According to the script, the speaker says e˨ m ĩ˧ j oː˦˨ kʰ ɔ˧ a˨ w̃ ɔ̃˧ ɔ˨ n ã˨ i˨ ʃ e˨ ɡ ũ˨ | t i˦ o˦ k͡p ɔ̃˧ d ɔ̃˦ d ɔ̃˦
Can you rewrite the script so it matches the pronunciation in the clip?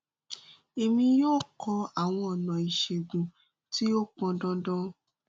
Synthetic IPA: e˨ m ĩ˧ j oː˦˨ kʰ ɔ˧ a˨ w̃ ɔ̃˧ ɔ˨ n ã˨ i˨ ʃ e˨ ɡ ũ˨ | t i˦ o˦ k͡p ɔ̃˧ d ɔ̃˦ d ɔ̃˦